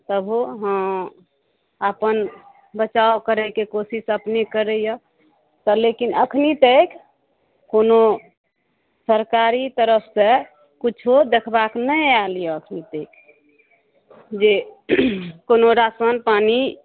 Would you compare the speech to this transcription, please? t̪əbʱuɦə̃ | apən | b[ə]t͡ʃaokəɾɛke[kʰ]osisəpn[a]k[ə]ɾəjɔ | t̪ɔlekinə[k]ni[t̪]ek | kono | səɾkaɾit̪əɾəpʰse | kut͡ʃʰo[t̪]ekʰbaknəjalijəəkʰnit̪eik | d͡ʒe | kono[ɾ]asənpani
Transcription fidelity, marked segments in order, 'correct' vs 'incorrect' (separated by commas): correct, incorrect, incorrect, correct, incorrect, correct, incorrect, correct